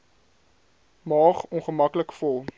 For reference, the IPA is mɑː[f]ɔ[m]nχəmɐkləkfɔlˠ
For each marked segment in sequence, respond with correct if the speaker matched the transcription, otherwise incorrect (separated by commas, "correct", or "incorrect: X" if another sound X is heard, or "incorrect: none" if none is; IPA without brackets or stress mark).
incorrect: χ, incorrect: none